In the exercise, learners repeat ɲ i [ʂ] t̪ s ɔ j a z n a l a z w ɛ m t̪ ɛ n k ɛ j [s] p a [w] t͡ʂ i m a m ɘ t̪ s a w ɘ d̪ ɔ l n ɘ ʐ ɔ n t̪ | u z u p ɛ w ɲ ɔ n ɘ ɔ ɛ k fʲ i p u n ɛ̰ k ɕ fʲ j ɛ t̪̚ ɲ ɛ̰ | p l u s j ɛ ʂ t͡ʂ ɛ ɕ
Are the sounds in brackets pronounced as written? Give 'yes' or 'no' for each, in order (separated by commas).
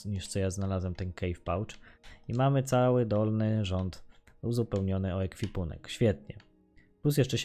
yes, no, yes